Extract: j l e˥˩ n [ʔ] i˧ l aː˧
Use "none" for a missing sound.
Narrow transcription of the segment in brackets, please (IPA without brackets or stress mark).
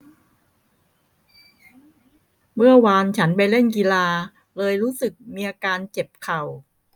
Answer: k